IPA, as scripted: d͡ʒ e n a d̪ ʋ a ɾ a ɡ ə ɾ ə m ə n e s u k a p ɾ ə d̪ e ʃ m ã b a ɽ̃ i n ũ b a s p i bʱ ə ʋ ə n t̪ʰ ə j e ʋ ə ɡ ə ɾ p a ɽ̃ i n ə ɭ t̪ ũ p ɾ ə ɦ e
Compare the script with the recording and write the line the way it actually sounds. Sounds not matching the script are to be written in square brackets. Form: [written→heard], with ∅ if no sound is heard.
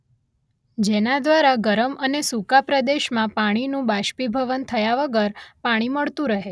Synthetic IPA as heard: d͡ʒ e n a d̪ ʋ a ɾ a ɡ ə ɾ ə m ə n e s u k a p ɾ ə d̪ e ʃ m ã [b→p] a ɽ̃ i n ũ b a [s→ʃ] p i bʱ ə ʋ ə n t̪ʰ ə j [e→a] ʋ ə ɡ ə ɾ p a ɽ̃ i [n→m] ə ɭ t̪ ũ [p→∅] ɾ ə ɦ e